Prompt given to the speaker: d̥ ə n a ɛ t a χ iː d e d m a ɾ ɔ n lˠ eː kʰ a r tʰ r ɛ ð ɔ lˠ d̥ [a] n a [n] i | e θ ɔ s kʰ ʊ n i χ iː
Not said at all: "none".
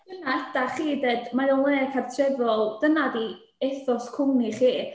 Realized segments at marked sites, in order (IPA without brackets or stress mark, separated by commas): ə, d